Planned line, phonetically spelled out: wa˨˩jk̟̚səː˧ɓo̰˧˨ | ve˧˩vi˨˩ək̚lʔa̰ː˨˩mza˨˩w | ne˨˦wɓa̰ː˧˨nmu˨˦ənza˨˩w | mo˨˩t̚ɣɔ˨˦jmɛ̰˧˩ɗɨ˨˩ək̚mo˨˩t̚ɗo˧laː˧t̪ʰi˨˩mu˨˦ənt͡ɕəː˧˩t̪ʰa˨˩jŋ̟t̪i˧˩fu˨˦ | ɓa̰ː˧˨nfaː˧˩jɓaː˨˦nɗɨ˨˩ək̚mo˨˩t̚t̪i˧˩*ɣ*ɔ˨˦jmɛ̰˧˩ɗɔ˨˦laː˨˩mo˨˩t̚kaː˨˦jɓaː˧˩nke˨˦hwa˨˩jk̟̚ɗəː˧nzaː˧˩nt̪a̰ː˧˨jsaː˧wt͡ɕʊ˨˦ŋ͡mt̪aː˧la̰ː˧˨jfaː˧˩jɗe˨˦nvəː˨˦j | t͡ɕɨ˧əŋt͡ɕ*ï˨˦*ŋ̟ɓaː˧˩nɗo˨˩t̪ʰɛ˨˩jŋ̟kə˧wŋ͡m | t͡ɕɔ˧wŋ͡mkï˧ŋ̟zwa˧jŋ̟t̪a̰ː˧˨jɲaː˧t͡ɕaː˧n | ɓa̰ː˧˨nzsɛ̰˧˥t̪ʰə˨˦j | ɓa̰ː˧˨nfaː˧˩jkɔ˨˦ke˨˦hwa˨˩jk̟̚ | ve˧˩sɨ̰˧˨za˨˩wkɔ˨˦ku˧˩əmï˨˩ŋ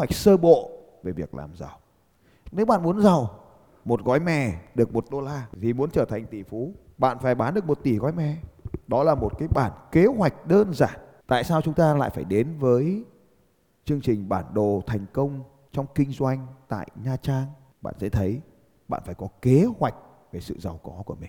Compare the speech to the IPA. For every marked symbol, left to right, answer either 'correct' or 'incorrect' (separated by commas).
correct, incorrect